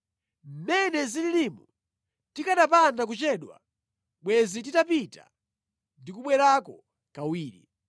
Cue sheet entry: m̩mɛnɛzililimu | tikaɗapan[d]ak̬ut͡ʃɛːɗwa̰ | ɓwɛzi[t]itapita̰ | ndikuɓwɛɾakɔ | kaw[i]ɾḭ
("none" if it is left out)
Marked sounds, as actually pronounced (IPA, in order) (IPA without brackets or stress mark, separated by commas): d, t, iː